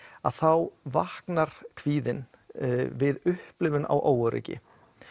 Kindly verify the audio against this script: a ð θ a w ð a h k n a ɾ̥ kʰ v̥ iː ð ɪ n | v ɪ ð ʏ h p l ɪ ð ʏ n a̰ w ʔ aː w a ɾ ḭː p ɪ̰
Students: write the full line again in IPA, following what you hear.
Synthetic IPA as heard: a ð θ a w v a h k n a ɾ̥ kʰ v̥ iː ð ɪ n | v ɪ ð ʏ h p l ɪ v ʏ n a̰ w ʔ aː w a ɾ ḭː c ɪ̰

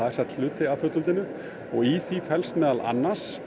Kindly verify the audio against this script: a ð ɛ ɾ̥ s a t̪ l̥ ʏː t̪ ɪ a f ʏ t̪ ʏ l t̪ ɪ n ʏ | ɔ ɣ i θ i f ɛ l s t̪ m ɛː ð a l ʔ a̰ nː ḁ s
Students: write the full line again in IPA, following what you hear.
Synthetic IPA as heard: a ð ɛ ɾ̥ s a t̪ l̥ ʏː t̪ ɪ a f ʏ t̪ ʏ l t̪ ɪ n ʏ | ɔ ɣ i θ i f ɛ l s t̪ m ɛː ð a l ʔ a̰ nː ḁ s

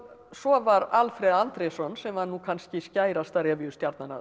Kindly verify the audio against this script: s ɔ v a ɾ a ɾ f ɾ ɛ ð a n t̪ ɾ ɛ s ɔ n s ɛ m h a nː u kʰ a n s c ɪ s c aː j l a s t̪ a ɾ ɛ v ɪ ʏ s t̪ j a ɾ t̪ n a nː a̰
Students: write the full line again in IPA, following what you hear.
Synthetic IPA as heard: s ɔ v a ɾ a l f ɾ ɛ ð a n t̪ ɾ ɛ s ɔ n s ɛ m h a nː u kʰ a n s c ɪ s c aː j ɾ a s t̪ a ɾ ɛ v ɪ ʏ s t̪ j a ɾ t̪ n a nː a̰

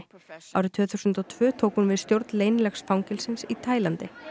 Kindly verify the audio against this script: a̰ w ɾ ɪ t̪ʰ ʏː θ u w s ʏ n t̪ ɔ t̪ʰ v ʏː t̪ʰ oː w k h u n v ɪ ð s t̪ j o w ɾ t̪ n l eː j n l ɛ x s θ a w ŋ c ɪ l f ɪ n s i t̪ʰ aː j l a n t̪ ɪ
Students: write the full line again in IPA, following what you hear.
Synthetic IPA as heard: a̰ w ɾ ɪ t̪ʰ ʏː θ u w s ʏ n t̪ ɔ t̪ʰ v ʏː t̪ʰ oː w k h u n v ɪ ð s t̪ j o w ɾ t̪ n l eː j n l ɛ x s f a w ŋ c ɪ l s ɪ n s i t̪ʰ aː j l a n t̪ ɪ

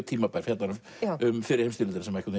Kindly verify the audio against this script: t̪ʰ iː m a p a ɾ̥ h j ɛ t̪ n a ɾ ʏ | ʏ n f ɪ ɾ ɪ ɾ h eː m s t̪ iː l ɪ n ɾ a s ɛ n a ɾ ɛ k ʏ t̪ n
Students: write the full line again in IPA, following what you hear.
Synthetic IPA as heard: t̪ʰ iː m a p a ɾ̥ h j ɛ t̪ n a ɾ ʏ | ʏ m f ɪ ɾ ɪ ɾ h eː m s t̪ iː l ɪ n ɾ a s ɛ m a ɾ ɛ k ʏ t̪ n

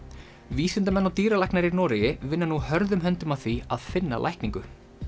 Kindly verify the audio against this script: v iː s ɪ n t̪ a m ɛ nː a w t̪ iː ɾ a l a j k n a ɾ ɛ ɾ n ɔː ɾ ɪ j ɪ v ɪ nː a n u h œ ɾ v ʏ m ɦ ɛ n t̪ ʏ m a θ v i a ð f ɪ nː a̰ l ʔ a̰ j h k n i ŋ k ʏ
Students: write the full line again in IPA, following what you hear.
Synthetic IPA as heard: v iː s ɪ n t̪ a m ɛ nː a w t̪ iː ɾ a l a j k n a ɾ i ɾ n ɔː ɾ ɪ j ɪ v ɪ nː a n u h œ ɾ ð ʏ m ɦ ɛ n t̪ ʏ m a θ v i a ð f ɪ nː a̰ l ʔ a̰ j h k n i ŋ k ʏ

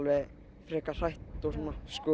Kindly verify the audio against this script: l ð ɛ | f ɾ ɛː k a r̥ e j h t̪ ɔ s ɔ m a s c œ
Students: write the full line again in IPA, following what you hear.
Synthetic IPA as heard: l v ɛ | f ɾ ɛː k a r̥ a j h t̪ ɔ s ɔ n a s k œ

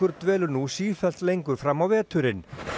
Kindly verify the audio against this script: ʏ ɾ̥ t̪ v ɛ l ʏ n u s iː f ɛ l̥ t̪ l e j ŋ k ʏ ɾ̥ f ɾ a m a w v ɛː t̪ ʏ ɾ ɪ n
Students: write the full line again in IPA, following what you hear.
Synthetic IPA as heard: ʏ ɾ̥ t̪ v ɛː l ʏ n u s iː f ɛ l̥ t̪ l e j ŋ k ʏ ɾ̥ f ɾ a m a w v ɛː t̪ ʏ ɾ ɪ n

